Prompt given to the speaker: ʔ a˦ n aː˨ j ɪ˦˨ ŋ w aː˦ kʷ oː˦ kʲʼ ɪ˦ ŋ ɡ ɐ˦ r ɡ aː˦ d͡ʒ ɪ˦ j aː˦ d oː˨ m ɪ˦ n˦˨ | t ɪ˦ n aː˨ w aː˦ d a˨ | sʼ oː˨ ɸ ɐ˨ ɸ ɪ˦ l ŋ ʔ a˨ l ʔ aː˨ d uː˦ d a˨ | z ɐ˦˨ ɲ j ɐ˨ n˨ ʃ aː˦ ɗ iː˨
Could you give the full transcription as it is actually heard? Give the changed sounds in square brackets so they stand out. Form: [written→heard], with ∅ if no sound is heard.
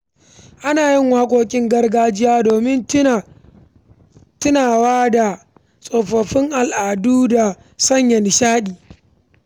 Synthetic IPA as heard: ʔ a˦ n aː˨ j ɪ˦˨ ŋ w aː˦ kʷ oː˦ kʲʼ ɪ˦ ŋ ɡ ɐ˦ r ɡ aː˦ d͡ʒ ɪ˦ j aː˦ d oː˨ m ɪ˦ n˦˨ | t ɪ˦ n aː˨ w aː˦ d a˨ | sʼ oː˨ ɸ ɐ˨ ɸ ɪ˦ [l→∅] ŋ ʔ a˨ l ʔ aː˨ d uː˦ d a˨ | [z→s] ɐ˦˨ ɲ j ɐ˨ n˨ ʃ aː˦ ɗ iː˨